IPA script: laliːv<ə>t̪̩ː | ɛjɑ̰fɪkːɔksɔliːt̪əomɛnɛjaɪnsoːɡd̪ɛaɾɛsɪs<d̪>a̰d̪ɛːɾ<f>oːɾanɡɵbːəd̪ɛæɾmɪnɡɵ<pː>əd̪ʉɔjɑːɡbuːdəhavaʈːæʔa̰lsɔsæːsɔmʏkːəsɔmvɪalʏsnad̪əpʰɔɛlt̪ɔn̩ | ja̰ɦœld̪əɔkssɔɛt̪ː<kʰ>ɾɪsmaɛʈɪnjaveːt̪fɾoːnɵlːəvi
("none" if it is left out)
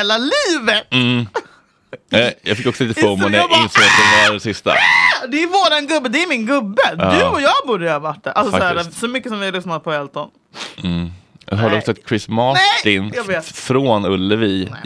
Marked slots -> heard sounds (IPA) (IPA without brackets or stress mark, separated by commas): ə, t̪, v, bː, kʰ